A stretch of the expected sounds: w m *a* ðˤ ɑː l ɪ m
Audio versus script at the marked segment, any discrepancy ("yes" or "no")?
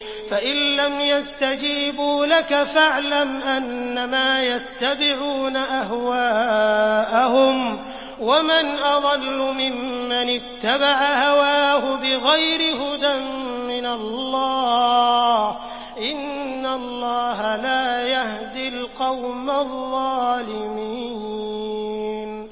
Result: no